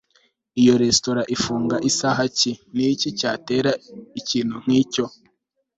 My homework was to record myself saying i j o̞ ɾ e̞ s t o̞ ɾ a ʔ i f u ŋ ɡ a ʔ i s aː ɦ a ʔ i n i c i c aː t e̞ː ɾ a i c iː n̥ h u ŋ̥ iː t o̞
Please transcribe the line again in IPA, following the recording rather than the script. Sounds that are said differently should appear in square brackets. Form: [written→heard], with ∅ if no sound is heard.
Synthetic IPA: i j o̞ ɾ e̞ s t o̞ ɾ a ʔ i f [u→uː] ŋ ɡ a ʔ i s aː ɦ a [ʔ→c] i n i c i c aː t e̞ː ɾ a i c iː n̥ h u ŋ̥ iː [t→c] o̞

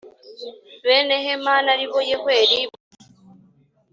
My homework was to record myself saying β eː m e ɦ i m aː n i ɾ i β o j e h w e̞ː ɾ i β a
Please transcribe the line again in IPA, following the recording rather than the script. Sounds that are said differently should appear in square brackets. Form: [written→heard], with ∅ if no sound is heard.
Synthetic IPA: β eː [m→n] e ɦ [i→e] m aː n [i→a] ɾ i β o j e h w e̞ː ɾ i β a

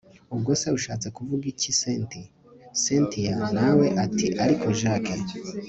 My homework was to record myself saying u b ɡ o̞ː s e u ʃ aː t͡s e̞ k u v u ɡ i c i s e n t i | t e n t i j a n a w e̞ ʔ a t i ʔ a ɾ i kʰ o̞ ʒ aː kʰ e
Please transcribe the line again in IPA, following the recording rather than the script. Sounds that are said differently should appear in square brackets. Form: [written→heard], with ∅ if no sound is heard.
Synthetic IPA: u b ɡ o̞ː s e u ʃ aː t͡s e̞ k u v u ɡ i c i s e n t i | [t→s] e n t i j a n a w e̞ ʔ a t i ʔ a ɾ i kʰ o̞ ʒ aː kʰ e

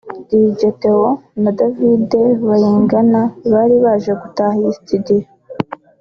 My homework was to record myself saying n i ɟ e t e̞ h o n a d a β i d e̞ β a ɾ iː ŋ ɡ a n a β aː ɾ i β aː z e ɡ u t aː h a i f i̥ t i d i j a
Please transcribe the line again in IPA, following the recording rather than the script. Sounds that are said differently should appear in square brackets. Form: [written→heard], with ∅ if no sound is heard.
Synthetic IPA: [n→d] i ɟ e t e̞ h o n a d a [β→v] i d e̞ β a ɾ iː ŋ ɡ a n a β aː ɾ i β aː [z→ʒ] e ɡ u t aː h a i [f→s] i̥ t i d i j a

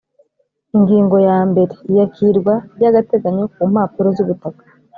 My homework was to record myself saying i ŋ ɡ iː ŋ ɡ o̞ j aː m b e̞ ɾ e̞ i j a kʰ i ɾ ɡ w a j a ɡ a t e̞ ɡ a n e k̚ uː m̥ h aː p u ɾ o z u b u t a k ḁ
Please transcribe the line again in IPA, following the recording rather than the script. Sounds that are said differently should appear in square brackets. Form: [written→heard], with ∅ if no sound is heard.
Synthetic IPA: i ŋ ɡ iː ŋ ɡ o̞ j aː m b e̞ ɾ e̞ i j a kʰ i ɾ ɡ w a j a ɡ a t e̞ ɡ a [n→ɲ] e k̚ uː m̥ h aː p u ɾ o z u [b→β] u t a k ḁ

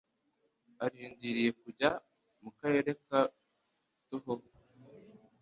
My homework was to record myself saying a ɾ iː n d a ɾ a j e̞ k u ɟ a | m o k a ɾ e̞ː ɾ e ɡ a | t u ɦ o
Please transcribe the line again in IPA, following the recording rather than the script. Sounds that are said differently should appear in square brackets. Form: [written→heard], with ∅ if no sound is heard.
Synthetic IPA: a ɾ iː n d [a→i] ɾ [a→i] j e̞ k u ɟ a | m [o→u] k a ɾ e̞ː ɾ e [ɡ→k] a | t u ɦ o

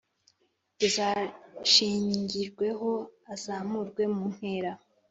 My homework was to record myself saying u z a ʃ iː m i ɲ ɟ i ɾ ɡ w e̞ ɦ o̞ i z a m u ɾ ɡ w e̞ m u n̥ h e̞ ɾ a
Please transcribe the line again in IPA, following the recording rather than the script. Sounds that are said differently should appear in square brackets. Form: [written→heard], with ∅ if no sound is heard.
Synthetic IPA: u z a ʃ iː [m→ɲ] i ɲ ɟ i ɾ ɡ w e̞ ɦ o̞ [i→a] z a m u ɾ ɡ w e̞ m u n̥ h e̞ ɾ a

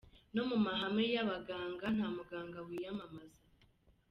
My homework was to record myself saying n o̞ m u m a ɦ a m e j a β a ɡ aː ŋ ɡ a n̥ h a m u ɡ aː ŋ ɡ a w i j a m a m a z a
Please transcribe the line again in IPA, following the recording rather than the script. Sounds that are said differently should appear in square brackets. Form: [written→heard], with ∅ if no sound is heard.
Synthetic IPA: n o̞ m u m a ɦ a m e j a β a ɡ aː ŋ ɡ a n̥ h a m u ɡ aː ŋ ɡ a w i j a m a m a z a

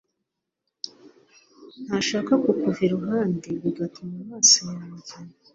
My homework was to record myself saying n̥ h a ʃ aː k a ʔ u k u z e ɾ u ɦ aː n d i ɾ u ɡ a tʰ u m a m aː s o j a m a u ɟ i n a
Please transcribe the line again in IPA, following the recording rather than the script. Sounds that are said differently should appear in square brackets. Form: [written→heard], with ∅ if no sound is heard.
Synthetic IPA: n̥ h a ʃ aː k a [ʔ→k] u k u [z→v] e ɾ u ɦ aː n d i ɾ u ɡ a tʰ u m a m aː s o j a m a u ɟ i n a

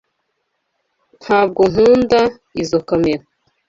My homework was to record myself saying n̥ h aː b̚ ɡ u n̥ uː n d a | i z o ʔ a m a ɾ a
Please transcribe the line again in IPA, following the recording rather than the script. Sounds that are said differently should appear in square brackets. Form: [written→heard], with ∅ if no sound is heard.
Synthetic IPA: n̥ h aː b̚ ɡ [u→o] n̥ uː n d a | i z o [ʔ→k] a m [a→e] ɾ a

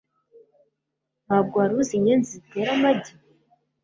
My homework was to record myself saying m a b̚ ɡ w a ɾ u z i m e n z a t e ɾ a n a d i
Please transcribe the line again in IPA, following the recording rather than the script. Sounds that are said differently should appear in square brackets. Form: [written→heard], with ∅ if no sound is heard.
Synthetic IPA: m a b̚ ɡ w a ɾ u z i [m→ɲ] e n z [a→i] t e ɾ a [n→m] a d i

